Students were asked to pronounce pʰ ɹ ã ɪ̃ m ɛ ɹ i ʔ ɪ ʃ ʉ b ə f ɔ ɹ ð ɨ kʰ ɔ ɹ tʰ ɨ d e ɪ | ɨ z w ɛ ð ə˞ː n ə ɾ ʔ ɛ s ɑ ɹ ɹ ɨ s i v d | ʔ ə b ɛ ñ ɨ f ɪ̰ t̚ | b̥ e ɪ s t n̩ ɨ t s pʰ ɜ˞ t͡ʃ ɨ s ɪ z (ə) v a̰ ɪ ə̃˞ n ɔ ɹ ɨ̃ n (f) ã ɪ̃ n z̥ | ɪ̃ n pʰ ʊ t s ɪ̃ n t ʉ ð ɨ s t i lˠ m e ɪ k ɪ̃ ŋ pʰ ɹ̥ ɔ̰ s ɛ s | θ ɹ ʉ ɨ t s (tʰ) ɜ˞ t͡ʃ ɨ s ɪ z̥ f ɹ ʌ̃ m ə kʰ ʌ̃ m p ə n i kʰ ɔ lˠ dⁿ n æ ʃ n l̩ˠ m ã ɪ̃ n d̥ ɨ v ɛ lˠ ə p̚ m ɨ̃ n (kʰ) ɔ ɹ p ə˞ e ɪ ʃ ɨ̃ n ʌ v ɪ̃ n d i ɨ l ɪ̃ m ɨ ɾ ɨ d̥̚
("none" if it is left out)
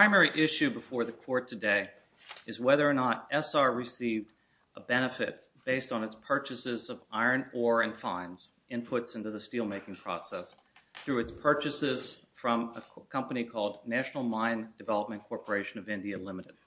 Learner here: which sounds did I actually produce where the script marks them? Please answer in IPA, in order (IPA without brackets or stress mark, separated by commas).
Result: ʌ, f, pʰ, kʰ